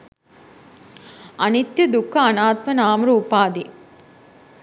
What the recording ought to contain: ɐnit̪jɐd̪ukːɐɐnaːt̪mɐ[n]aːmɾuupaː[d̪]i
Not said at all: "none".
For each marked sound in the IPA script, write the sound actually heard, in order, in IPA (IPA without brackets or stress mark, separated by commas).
n, d̪